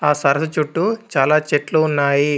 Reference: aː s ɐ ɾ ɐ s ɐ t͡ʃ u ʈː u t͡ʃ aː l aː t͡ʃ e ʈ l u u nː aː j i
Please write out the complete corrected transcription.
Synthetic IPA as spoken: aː s ɐ ɾ ɐ s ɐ t͡ʃ u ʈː u t͡ʃ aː l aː t͡ʃ e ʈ l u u nː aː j i